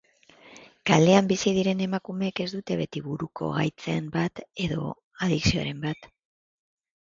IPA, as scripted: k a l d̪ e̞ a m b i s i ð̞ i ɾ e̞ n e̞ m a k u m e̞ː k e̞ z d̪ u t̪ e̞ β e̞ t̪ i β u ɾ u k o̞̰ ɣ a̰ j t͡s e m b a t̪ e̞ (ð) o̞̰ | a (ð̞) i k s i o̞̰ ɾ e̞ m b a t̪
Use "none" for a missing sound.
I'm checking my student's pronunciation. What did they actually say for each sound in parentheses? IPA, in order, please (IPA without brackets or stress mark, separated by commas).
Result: ð, ð̞